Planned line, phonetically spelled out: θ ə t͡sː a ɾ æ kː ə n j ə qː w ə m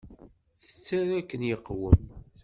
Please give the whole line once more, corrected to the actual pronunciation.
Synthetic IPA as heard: θ ə t͡sː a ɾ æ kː ə n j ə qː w ə m

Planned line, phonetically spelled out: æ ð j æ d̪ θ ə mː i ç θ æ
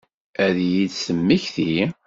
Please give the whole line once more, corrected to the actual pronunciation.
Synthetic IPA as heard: æ ð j i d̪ s ə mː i ç θ i

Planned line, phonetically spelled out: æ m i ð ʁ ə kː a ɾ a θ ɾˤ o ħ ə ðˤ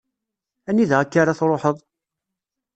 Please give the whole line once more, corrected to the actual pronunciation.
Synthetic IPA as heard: æ n i ð ʁ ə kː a ɾ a θ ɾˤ o ħ ə ðˤ

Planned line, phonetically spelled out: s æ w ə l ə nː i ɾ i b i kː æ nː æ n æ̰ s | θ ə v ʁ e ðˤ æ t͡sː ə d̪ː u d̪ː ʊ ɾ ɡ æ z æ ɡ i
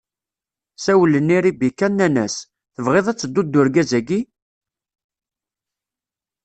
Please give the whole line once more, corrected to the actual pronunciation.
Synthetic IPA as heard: s æ w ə l ə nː i ɾ i b i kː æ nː æ n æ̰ s | θ ə v ʁ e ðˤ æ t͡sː ə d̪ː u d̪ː ʊ ɾ ɡ æ z æ ɡ i

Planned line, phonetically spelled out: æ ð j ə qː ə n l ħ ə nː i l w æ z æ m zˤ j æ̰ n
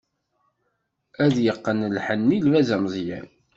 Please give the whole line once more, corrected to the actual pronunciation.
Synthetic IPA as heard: æ ð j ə qː ə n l ħ ə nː i l v æ z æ m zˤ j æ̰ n

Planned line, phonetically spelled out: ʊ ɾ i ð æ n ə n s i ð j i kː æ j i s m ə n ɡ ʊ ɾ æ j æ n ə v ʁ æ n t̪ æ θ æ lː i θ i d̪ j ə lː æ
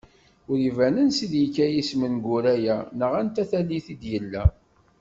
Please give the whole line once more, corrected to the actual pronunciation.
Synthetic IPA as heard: ʊ ɾ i v æ n ə n s i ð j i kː æ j i s m ə n ɡ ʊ ɾ æ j æ n ə ʁ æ n t̪ æ θ æ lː i θ i d̪ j ə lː æ

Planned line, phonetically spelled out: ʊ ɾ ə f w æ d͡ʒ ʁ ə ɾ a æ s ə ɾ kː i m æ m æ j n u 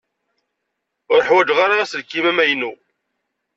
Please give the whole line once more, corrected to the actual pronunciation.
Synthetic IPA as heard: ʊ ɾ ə ħ w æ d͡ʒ ʁ a ɾ a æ s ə l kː i m æ m æ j n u

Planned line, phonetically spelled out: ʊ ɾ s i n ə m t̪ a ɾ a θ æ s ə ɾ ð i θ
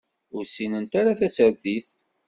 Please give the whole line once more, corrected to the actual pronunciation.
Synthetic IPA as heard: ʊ ɾ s i n ə n t̪ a ɾ a θ æ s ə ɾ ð i θ

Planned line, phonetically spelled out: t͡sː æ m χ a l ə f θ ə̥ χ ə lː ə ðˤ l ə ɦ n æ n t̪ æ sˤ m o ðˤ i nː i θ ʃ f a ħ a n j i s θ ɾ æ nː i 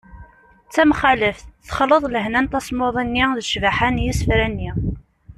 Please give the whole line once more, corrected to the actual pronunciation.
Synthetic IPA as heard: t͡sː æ m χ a l ə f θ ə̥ χ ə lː ə ðˤ l ə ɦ n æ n t̪ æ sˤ m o ðˤ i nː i ð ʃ v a ħ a n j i s f ɾ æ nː i

